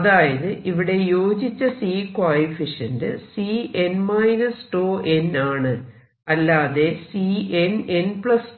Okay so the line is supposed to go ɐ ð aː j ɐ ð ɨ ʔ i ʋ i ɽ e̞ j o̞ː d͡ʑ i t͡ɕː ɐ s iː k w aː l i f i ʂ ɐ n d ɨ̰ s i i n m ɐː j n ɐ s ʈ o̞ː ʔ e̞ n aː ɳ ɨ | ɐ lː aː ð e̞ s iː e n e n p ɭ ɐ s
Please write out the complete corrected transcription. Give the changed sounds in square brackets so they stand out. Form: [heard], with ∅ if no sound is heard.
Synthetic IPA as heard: ɐ ð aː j ɐ ð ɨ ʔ i ʋ i ɽ e̞ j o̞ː d͡ʑ i t͡ɕː ɐ s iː k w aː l i f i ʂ ɐ n d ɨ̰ s i [e] n m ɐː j n ɐ s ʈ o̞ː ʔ e̞ n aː ɳ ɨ | ɐ lː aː ð e̞ s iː e n e n p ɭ ɐ s